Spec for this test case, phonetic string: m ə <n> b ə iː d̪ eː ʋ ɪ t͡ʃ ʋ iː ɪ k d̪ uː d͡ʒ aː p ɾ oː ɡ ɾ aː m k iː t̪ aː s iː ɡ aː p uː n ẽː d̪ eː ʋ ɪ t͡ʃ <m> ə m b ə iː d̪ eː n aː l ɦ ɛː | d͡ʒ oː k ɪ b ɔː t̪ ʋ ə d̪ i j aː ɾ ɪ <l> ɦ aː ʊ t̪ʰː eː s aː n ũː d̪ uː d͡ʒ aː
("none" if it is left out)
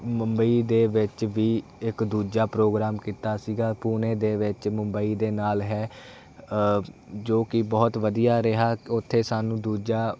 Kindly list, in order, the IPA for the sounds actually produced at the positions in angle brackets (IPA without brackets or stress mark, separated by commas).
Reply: m, m, none